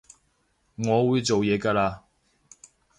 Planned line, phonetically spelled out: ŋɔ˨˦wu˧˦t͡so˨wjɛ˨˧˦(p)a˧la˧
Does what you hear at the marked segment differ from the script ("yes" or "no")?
yes